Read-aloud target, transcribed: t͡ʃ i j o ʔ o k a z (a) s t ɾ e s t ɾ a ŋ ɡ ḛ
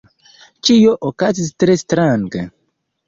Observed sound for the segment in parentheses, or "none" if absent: i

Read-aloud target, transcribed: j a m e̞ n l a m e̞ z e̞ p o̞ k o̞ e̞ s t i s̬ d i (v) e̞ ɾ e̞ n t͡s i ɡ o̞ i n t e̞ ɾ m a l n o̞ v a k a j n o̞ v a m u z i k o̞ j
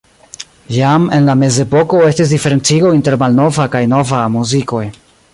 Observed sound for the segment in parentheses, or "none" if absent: f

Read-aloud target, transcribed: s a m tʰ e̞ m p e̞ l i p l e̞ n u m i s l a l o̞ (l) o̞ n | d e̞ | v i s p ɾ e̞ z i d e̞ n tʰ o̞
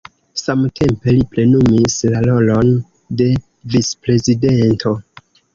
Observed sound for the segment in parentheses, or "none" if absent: l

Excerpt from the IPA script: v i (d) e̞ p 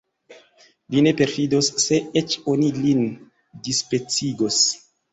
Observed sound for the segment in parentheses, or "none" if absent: n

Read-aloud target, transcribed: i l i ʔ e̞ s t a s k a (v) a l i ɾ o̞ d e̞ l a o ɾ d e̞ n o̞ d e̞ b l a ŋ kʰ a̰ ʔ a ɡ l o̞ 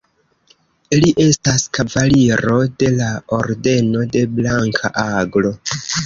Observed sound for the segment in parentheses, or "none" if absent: v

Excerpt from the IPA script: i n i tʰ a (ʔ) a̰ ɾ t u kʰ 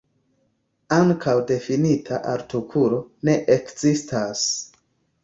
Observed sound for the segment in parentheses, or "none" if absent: ʔ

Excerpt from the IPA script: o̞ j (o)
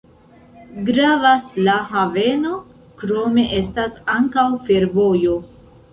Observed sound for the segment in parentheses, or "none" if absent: o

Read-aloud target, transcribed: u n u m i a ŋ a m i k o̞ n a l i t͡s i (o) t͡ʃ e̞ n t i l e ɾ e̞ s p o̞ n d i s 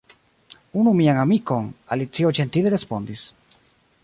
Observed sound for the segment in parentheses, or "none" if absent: o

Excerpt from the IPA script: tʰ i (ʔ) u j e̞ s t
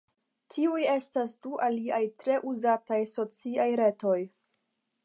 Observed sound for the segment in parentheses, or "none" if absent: none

